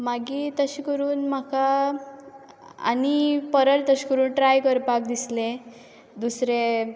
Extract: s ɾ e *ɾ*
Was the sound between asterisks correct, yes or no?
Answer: no